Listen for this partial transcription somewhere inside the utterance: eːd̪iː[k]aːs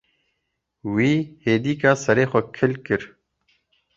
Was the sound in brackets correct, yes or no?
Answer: yes